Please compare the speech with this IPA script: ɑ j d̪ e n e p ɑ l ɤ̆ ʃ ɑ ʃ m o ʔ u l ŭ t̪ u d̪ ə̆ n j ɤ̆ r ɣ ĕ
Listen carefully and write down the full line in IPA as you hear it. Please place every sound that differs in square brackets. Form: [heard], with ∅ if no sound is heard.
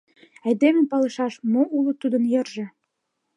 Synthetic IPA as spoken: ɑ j d̪ e [m] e p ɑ l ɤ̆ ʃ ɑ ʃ m o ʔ u l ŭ t̪ u d̪ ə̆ n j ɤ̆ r [ʒ] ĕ

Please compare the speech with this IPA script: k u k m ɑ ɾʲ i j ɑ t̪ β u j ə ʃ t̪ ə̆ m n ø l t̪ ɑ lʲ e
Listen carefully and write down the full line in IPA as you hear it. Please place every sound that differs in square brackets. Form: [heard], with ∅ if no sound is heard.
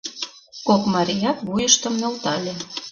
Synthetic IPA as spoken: k [o] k m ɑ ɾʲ i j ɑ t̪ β u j ə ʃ t̪ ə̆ m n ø l t̪ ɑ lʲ e

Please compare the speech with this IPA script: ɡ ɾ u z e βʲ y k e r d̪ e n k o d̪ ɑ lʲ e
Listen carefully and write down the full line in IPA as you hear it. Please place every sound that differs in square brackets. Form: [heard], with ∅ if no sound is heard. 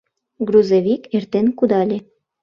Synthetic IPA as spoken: ɡ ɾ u z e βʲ [i] k e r [t̪] e n k [u] d̪ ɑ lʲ e

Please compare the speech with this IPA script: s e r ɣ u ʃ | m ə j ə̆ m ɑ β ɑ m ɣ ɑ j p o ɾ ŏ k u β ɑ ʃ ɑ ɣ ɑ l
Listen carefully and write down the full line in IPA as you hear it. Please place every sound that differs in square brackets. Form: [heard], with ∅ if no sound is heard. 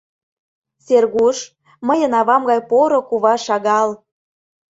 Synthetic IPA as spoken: s e r ɣ u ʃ | m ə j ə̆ [n] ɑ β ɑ m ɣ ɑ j p o ɾ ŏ k u β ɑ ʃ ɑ ɣ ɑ l

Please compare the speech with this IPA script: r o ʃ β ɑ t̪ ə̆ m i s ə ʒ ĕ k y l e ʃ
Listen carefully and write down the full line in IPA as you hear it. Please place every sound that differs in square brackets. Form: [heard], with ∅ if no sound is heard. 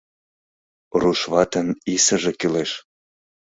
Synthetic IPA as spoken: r [u] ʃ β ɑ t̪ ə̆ [n] i s ə ʒ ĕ k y l e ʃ

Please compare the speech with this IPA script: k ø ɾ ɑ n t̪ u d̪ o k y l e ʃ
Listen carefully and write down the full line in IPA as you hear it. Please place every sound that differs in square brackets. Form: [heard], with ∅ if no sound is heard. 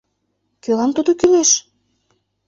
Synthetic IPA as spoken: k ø [l] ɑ [m] t̪ u d̪ o k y l e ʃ

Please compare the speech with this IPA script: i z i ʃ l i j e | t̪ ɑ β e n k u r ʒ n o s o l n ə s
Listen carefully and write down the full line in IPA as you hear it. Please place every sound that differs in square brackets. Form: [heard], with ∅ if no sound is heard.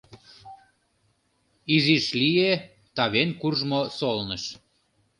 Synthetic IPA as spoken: i z i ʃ l i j e | t̪ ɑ β e n k u r ʒ [m] o s o l n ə [ʃ]

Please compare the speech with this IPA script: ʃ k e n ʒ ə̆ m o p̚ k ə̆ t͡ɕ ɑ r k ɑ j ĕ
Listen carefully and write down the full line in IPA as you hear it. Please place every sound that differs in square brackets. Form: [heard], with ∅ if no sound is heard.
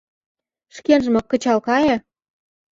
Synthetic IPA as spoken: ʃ k e n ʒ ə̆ m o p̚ k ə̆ t͡ɕ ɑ [l] k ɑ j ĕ

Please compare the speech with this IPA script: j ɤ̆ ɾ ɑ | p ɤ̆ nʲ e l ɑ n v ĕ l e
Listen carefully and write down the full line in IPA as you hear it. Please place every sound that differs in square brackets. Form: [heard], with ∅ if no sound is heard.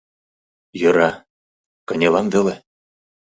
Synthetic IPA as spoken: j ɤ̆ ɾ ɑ | [k] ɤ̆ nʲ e l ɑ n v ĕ l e

